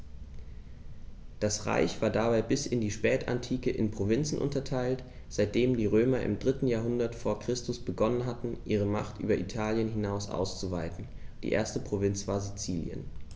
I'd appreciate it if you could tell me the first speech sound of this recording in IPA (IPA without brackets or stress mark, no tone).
d̥